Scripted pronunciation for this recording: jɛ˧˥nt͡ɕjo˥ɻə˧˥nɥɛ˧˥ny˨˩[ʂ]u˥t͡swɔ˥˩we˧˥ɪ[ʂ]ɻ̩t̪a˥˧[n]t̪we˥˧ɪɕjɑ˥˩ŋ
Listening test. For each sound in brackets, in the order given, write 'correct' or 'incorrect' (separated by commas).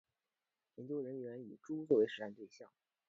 incorrect, correct, correct